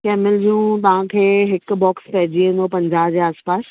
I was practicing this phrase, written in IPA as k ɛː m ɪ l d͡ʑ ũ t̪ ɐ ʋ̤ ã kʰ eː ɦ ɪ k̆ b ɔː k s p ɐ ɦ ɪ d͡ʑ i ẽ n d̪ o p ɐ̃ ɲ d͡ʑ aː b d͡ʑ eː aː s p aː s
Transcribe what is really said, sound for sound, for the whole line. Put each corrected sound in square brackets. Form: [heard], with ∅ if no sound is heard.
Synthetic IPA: k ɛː m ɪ l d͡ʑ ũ t̪ ɐ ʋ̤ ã kʰ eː ɦ ɪ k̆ b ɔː k s p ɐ ɦ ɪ d͡ʑ i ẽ n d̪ o p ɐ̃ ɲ d͡ʑ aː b d͡ʑ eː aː s p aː s